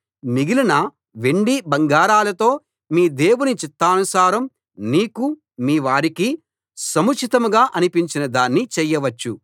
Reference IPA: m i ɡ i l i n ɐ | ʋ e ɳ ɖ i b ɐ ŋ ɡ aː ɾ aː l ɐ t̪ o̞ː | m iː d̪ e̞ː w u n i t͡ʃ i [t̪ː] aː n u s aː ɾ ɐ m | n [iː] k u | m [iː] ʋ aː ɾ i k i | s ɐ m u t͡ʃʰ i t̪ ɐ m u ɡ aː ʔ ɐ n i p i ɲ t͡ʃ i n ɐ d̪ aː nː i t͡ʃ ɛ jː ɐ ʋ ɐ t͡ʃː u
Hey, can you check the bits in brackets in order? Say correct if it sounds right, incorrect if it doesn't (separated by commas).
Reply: correct, correct, correct